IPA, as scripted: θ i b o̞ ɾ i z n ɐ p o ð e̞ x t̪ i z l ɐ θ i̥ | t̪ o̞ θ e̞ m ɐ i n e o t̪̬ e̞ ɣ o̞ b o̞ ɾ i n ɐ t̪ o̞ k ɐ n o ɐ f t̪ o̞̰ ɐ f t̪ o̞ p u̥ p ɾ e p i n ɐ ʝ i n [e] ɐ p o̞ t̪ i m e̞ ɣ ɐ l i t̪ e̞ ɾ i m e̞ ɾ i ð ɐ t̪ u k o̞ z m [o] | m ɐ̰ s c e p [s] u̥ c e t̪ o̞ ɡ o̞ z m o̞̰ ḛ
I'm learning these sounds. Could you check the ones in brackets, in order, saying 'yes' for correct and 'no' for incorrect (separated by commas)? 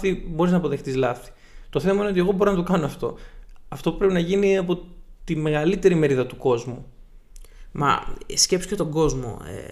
no, no, yes